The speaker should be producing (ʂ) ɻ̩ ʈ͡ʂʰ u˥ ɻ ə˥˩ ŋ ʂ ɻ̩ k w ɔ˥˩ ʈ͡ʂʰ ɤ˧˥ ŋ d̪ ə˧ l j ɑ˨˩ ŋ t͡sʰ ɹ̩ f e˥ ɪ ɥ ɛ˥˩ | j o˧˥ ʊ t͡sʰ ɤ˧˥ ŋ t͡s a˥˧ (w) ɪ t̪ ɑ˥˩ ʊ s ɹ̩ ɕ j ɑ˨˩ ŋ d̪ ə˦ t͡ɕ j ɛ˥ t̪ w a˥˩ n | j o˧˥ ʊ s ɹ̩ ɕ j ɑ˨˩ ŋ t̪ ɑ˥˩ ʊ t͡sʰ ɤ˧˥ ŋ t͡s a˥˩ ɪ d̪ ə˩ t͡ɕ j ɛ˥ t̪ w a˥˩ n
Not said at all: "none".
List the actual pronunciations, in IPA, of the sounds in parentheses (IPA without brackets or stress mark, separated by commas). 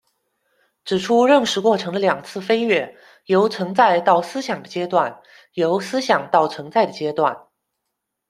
ʈ͡ʂ, none